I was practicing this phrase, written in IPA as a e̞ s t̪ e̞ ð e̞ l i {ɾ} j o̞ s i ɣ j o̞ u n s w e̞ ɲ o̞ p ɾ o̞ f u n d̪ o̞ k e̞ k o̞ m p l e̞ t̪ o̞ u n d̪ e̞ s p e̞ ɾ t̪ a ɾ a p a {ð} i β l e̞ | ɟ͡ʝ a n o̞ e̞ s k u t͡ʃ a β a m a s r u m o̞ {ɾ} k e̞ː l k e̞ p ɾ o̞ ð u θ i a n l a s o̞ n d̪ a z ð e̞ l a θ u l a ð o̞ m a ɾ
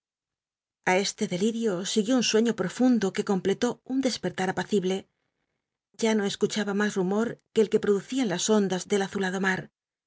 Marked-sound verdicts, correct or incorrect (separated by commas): correct, incorrect, correct